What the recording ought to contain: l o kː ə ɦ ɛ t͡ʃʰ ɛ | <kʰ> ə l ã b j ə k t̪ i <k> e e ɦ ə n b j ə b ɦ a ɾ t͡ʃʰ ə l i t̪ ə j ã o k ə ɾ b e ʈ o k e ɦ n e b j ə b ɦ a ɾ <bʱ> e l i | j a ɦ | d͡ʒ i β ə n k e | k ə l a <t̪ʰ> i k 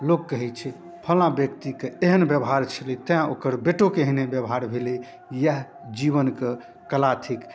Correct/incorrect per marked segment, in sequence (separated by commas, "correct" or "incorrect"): incorrect, correct, correct, correct